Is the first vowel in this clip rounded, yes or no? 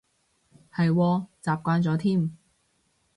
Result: no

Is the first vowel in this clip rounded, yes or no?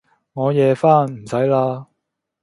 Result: yes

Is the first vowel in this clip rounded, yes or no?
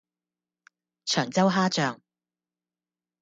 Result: yes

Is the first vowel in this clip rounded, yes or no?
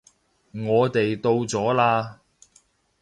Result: yes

